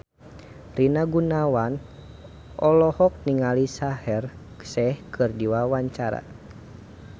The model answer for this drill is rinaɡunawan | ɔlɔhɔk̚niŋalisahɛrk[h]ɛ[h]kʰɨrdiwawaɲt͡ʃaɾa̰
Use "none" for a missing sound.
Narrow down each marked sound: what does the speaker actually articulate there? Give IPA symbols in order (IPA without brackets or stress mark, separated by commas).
s, h